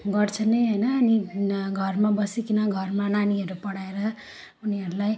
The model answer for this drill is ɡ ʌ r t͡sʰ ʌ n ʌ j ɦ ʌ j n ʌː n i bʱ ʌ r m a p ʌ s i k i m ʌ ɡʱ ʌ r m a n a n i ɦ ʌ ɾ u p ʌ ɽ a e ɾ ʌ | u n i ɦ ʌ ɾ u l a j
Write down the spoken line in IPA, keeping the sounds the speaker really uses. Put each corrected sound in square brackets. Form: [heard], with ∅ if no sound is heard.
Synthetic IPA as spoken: ɡ ʌ r t͡sʰ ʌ n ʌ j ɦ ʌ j n ʌː n i [ɡʱ] ʌ r m a [b] ʌ s i k i [n] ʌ ɡʱ ʌ r m a n a n i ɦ ʌ ɾ u p ʌ ɽ a e ɾ ʌ | u n i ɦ ʌ ɾ u l a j

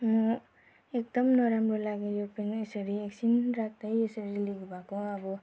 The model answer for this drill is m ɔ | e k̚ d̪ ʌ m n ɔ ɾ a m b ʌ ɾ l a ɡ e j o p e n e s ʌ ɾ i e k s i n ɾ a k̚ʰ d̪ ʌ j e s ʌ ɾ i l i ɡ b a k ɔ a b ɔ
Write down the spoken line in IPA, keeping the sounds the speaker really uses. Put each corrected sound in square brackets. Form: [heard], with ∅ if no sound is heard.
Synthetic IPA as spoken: m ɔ | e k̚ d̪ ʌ m n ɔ ɾ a m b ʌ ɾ l a ɡ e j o p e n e s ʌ ɾ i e k s i n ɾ a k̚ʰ d̪ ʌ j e s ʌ ɾ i l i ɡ b a k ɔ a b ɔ

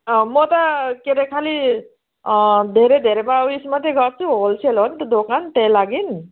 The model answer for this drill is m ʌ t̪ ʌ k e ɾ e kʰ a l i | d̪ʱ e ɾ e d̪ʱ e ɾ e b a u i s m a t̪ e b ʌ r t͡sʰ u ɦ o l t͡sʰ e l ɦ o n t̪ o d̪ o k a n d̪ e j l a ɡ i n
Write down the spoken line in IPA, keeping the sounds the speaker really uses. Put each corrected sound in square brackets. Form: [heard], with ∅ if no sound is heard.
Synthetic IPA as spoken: m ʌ t̪ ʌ k e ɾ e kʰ a l i | d̪ʱ e ɾ e d̪ʱ e ɾ e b a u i s m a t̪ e [ɡ] ʌ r t͡sʰ u ɦ o l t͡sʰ e l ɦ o n t̪ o d̪ o k a n [t̪] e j l a ɡ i n

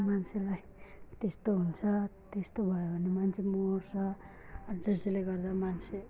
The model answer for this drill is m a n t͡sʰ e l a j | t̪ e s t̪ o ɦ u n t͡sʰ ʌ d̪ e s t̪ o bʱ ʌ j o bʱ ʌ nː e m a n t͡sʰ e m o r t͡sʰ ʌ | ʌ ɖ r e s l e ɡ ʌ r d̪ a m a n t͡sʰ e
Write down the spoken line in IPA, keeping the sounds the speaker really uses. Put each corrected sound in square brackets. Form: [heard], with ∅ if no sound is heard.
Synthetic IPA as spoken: m a n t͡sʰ e l a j | t̪ e s t̪ o ɦ u n t͡sʰ ʌ [t̪] e s t̪ o bʱ ʌ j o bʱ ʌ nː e m a n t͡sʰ e m o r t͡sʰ ʌ | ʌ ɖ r e s l e ɡ ʌ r d̪ a m a n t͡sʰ e

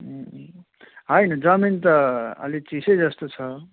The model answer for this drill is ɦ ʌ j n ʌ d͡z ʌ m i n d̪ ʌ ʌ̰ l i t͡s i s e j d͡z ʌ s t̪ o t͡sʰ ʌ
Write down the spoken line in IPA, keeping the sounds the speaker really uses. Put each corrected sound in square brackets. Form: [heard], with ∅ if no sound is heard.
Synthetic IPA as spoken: ɦ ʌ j n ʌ d͡z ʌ m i n [t̪] ʌ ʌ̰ l i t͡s i s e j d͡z ʌ s t̪ o t͡sʰ ʌ

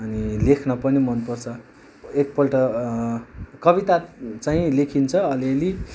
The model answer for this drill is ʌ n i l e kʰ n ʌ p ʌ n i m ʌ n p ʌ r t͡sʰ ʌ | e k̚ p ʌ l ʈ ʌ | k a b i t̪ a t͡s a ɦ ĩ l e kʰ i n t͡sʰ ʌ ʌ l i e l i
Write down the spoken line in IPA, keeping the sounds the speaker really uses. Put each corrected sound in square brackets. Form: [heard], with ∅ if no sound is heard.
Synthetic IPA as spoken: ʌ n i l e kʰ n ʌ p ʌ n i m ʌ n p ʌ r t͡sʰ ʌ | e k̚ p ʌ l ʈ ʌ | k [ʌ] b i t̪ a t͡s a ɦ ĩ l e kʰ i n t͡sʰ ʌ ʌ l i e l i

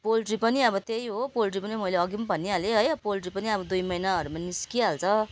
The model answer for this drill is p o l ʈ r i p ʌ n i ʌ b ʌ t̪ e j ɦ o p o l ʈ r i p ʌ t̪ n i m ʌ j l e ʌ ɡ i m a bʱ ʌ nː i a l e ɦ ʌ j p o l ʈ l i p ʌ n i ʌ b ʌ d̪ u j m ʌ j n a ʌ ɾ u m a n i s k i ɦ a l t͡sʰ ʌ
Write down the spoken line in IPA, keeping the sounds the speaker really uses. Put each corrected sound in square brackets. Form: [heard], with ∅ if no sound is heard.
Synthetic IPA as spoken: p o l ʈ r i p ʌ n i ʌ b ʌ t̪ e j ɦ o p o l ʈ r i p ʌ [∅] n i m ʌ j l e ʌ ɡ i m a bʱ ʌ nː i a l e ɦ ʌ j p o l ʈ [r] i p ʌ n i ʌ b ʌ d̪ u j m ʌ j n a ʌ ɾ u m a n i s k i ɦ a l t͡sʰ ʌ

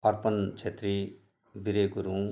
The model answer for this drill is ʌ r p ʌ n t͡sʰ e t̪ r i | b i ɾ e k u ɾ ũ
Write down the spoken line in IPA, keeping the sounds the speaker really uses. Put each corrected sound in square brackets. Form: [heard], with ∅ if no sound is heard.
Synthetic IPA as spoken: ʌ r p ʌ n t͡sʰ e t̪ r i | b i ɾ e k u ɾ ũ

